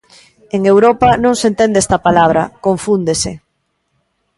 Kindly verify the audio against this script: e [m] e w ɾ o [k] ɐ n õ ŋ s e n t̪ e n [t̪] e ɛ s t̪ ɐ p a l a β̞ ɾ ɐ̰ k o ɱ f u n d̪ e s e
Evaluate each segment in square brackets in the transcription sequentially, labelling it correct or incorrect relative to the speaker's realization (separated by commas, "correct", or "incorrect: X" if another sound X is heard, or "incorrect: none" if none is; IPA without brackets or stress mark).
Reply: incorrect: ŋ, incorrect: p, incorrect: d̪